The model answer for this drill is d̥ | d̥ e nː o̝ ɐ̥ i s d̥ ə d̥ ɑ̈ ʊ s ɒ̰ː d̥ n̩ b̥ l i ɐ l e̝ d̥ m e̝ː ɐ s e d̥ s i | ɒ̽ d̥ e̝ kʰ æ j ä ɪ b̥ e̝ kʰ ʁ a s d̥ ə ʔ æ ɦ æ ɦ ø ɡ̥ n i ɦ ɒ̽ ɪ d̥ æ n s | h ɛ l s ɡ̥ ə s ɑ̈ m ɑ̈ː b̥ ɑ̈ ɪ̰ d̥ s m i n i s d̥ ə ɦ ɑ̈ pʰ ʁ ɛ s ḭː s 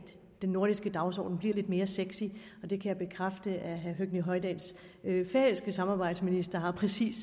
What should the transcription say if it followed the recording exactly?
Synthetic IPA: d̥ | d̥ e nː o̝ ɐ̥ i s ɡ̥ ə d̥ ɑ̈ ʊ s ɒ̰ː d̥ n̩ b̥ l i ɐ l e̝ d̥ m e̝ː ɐ s e ɡ̥ s i | ɒ̽ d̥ e̝ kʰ æ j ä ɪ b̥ e̝ kʰ ʁ a f d̥ ə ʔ æ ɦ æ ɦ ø ɡ̥ n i ɦ ɒ̽ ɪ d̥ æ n s | f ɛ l s ɡ̥ ə s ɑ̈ m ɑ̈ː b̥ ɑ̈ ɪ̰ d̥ s m i n i s d̥ ɐ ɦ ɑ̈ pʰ ʁ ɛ s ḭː s